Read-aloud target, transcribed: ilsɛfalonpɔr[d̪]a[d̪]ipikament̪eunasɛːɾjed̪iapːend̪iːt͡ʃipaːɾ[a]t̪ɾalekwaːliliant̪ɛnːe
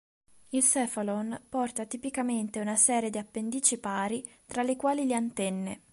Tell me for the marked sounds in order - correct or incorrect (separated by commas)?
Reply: incorrect, incorrect, incorrect